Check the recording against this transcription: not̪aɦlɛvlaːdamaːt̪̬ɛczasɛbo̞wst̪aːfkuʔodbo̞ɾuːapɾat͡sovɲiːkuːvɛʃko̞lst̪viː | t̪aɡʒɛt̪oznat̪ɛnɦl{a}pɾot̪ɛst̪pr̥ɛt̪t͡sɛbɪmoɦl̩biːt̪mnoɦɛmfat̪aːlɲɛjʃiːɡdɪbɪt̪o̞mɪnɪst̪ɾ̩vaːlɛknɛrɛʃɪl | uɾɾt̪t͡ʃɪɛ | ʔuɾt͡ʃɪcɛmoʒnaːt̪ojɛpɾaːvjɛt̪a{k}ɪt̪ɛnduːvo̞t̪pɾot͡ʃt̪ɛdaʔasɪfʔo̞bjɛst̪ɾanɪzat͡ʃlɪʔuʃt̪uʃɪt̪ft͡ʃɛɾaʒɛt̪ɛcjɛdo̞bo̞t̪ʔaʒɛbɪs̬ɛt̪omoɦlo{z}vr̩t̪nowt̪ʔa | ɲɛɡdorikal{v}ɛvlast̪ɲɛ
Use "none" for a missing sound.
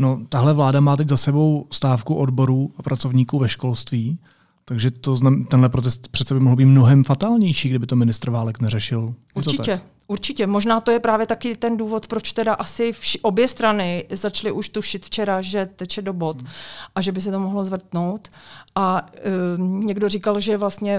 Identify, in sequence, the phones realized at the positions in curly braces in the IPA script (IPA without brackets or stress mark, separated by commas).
ɛ, k, z, ʒ